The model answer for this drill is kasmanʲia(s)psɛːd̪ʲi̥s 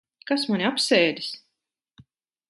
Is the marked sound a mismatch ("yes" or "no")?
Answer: yes